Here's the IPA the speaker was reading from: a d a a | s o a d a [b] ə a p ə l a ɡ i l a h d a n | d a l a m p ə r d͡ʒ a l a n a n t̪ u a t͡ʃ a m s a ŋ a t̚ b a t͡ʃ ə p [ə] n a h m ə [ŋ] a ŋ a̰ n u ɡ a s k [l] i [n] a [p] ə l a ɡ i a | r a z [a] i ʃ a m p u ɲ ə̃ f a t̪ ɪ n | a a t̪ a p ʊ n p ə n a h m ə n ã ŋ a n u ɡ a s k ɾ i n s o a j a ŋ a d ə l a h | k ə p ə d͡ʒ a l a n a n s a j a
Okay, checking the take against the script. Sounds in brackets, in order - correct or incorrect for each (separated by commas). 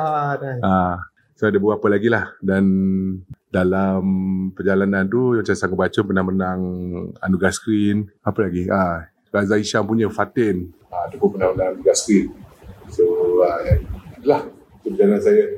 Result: correct, correct, incorrect, incorrect, correct, correct, correct